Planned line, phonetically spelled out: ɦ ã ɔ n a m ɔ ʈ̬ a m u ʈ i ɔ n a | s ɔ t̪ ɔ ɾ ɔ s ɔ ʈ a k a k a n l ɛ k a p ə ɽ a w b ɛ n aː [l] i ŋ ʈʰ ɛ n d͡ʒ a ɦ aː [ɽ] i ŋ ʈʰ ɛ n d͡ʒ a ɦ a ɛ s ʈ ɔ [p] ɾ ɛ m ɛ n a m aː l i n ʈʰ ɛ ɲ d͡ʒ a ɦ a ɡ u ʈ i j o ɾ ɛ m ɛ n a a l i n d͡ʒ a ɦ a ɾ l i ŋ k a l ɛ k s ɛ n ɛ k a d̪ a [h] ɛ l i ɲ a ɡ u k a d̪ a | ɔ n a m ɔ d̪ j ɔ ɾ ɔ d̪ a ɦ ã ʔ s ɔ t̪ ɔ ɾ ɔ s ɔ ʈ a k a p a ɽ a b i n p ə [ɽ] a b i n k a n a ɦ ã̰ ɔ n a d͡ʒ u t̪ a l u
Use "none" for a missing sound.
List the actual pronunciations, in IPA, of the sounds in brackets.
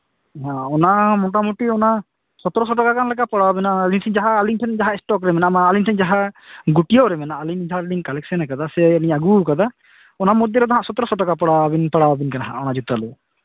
l, l, k, s, ɽ

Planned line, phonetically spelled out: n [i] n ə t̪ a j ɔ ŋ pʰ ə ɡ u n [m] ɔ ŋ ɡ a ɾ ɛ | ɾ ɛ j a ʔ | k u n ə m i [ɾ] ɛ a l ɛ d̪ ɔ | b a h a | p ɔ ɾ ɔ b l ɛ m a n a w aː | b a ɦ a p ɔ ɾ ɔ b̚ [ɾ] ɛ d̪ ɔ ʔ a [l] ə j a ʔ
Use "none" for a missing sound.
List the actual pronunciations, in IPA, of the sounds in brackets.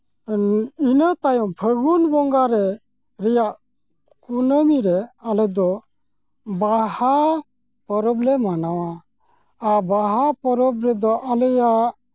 i, b, ɾ, ɾ, l

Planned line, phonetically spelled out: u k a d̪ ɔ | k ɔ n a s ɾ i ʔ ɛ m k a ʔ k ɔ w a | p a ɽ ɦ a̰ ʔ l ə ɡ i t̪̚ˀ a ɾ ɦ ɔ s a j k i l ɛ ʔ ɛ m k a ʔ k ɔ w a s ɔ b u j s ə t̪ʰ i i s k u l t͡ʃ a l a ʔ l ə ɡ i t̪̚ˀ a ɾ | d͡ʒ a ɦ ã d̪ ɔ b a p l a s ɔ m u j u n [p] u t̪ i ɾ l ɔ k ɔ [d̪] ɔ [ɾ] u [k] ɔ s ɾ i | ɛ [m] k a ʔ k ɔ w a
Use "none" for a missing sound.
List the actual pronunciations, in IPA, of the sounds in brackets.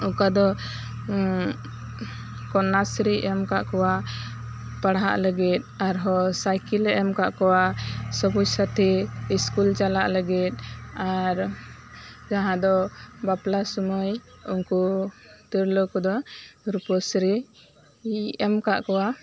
k, d̪, ɾ, p, m

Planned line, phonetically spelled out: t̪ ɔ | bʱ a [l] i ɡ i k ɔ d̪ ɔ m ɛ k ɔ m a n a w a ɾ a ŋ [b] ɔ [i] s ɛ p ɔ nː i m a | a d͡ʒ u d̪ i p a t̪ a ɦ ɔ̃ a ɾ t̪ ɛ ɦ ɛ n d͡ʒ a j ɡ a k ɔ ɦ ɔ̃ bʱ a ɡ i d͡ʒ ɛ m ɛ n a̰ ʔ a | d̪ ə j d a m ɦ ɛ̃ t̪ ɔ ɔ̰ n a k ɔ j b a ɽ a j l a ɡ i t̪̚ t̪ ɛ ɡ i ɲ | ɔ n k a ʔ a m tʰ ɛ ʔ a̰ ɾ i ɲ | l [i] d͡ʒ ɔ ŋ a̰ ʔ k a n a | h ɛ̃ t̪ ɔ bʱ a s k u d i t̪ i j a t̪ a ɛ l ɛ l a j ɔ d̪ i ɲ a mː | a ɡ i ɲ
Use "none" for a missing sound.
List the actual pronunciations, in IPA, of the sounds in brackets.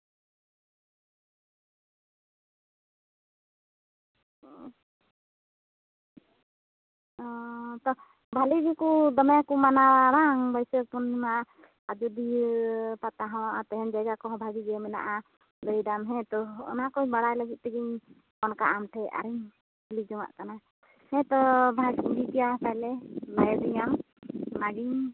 l, b, j, i

